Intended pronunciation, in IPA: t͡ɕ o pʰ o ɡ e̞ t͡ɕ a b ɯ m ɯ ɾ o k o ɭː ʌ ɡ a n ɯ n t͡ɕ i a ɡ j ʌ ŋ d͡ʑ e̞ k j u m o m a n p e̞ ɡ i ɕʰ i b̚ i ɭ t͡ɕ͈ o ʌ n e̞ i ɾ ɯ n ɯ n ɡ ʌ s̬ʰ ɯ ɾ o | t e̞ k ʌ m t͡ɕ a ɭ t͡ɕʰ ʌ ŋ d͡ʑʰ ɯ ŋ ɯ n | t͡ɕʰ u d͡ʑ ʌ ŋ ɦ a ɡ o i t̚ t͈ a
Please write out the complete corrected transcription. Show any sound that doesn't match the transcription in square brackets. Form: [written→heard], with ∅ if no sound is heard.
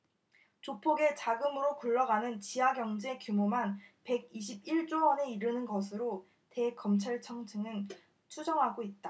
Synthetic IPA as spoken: t͡ɕ o pʰ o ɡ e̞ t͡ɕ a [b→ɡ] ɯ m ɯ ɾ o k [o→u] ɭː ʌ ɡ a n ɯ n t͡ɕ i a ɡ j ʌ ŋ d͡ʑ e̞ k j u m o m a n p e̞ ɡ i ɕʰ i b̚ i ɭ t͡ɕ͈ o ʌ n e̞ i ɾ ɯ n ɯ n ɡ ʌ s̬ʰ ɯ ɾ o | t e̞ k ʌ m [t͡ɕ→t͡ɕʰ] a ɭ t͡ɕʰ ʌ ŋ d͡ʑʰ ɯ ŋ ɯ n | t͡ɕʰ u d͡ʑ ʌ ŋ ɦ a ɡ o i t̚ t͈ a